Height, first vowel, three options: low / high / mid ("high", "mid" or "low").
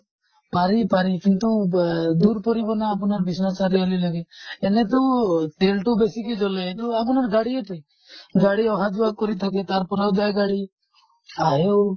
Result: low